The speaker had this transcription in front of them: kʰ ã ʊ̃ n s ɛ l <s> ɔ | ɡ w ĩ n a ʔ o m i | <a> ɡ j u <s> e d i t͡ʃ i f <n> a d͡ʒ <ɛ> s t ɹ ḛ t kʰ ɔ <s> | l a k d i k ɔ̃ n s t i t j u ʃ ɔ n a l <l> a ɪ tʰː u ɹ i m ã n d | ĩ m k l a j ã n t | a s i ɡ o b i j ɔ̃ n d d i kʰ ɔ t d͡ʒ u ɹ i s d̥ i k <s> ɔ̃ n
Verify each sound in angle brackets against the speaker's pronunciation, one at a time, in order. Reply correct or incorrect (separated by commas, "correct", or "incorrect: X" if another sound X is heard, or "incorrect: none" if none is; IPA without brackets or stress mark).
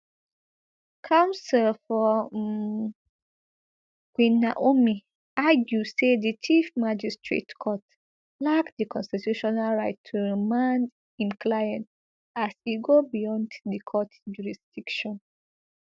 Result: incorrect: f, correct, correct, incorrect: m, incorrect: i, incorrect: t, incorrect: ɹ, incorrect: ʃ